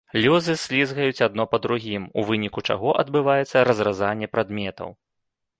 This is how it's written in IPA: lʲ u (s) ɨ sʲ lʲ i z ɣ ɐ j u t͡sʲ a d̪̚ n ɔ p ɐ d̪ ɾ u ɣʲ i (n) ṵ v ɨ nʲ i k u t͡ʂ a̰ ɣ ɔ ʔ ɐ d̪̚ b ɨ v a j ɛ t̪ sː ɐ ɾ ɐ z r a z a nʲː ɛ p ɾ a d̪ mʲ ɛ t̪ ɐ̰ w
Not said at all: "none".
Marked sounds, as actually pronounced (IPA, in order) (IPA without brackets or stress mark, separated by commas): z, m